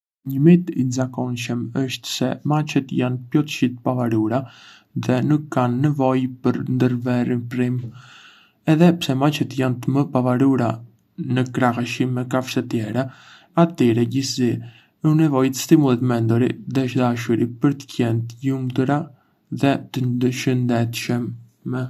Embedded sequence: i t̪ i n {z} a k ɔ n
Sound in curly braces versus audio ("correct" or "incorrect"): correct